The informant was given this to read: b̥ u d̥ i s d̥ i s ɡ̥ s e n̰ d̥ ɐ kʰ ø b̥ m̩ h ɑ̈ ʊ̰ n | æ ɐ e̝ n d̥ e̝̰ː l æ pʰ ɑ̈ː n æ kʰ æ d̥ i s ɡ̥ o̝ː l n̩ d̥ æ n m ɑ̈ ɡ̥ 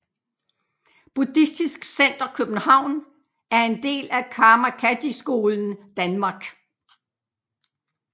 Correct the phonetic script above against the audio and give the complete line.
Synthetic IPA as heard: b̥ u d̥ i s d̥ i s ɡ̥ s e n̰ d̥ ɐ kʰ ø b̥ n̩ h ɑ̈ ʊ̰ n | æ ɐ e̝ n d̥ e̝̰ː l æ kʰ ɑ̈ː m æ kʰ æ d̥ i s ɡ̥ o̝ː l n̩ d̥ æ n m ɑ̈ ɡ̥